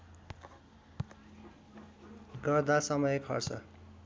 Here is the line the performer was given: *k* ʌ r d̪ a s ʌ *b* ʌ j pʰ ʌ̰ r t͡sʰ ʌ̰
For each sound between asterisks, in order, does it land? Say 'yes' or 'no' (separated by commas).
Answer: no, no